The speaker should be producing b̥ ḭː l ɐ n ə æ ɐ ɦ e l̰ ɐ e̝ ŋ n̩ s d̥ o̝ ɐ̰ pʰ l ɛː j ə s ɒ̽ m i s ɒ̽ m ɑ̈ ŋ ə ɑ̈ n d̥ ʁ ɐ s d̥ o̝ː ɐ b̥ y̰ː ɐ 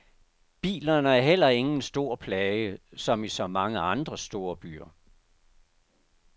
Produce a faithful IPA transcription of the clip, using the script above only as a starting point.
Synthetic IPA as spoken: b̥ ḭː l ɐ n ə æ ɐ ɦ e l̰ ɐ e̝ ŋ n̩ s d̥ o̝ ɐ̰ pʰ l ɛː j ə s ɒ̽ m i s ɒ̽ m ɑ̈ ŋ ə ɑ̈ n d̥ ʁ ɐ s d̥ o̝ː ɐ b̥ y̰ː ɐ